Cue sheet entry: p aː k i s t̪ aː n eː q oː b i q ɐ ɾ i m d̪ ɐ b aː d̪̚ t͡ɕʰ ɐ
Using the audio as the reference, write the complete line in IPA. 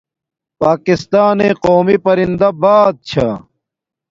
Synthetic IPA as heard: p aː k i s t̪ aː n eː q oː m i p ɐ ɾ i n d̪ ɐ b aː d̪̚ t͡ɕʰ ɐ